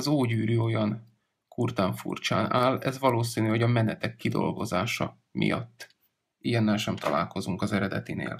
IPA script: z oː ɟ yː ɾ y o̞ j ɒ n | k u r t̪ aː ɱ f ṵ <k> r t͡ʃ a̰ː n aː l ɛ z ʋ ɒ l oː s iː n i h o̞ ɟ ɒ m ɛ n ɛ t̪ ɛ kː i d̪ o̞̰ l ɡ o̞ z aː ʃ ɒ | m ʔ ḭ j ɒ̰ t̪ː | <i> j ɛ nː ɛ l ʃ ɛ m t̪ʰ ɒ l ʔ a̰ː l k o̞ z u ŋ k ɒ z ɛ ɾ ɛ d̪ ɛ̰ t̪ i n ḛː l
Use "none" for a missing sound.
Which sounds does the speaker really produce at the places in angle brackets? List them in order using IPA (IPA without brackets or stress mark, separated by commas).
none, i